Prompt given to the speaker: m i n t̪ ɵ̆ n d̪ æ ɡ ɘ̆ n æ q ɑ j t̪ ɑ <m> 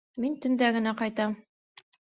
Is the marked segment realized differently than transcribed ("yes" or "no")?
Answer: no